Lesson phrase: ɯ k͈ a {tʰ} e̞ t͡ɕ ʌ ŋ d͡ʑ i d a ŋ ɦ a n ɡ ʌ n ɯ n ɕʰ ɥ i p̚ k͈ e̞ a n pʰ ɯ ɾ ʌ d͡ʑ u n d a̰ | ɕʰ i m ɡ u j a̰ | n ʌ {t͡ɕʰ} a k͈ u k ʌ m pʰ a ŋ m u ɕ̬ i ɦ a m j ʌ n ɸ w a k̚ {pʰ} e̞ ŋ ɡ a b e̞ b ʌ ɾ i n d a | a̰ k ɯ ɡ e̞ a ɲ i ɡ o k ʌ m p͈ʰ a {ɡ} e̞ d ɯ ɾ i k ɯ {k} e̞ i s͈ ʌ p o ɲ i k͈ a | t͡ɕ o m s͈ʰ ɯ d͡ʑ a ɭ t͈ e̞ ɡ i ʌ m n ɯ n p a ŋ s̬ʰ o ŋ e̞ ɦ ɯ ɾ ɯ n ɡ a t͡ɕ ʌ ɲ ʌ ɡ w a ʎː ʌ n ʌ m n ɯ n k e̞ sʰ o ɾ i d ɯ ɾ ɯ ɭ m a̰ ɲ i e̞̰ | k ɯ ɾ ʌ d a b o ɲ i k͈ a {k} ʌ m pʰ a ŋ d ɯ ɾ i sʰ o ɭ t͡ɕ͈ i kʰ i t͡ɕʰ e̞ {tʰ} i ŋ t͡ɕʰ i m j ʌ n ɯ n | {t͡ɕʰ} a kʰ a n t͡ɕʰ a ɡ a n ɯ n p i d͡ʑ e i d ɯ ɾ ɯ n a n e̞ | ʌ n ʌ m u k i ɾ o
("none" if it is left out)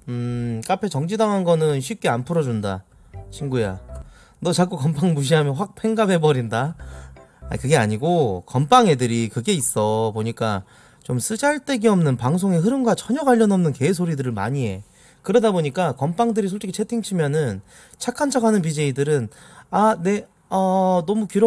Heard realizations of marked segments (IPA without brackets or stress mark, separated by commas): pʰ, t͡ɕ, pʰ, ŋ, ɡ, k, tʰ, t͡ɕʰ